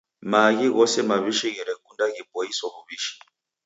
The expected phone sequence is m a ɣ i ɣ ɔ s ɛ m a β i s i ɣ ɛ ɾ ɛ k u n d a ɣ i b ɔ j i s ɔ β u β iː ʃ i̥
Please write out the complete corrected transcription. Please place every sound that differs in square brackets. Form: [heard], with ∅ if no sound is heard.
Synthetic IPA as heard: m a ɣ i ɣ ɔ s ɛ m a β i [ʃ] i ɣ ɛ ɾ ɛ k u n d a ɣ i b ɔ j i s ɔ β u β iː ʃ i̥